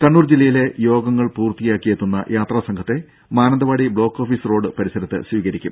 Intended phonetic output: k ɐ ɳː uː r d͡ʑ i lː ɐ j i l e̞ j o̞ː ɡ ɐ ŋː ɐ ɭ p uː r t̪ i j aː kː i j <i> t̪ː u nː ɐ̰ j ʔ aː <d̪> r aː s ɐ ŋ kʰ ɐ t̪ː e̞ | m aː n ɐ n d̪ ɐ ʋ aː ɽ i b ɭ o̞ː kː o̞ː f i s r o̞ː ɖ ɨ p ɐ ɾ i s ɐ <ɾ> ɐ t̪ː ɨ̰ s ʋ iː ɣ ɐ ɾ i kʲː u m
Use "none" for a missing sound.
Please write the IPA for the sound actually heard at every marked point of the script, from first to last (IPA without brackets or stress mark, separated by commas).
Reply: e, t̪, ɾ